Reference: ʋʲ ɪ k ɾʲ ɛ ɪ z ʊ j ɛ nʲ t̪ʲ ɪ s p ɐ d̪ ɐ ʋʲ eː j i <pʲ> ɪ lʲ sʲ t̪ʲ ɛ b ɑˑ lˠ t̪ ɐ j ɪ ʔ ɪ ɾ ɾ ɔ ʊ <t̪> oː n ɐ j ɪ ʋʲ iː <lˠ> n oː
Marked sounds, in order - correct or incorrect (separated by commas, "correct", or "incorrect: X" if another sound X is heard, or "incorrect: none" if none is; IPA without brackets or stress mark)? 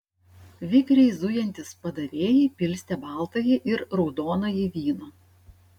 correct, incorrect: d̪, incorrect: none